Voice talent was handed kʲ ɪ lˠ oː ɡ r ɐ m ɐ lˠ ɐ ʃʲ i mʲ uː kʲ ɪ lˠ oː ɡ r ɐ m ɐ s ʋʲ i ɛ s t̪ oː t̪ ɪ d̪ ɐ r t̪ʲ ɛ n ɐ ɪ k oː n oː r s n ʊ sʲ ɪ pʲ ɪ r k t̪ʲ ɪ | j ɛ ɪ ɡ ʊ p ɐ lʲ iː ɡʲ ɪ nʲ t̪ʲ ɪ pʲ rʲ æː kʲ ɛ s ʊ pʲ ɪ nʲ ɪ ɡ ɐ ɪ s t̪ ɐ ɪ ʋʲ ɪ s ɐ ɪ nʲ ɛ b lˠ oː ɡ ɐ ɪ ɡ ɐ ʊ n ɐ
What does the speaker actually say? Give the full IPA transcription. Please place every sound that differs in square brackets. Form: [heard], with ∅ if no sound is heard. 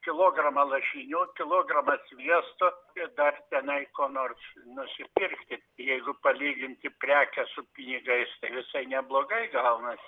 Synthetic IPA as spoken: kʲ ɪ lˠ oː ɡ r ɐ m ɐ lˠ ɐ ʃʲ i [nʲ] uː kʲ ɪ lˠ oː ɡ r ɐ m ɐ s ʋʲ i ɛ s t̪ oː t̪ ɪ d̪ ɐ r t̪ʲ ɛ n ɐ ɪ k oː n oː r s n ʊ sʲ ɪ pʲ ɪ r k t̪ʲ ɪ | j ɛ ɪ ɡ ʊ p ɐ lʲ iː ɡʲ ɪ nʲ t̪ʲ ɪ pʲ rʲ æː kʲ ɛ s ʊ pʲ ɪ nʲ ɪ ɡ ɐ ɪ s t̪ ɐ ɪ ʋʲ ɪ s ɐ ɪ nʲ ɛ b lˠ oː ɡ ɐ ɪ ɡ ɐ ʊ n ɐ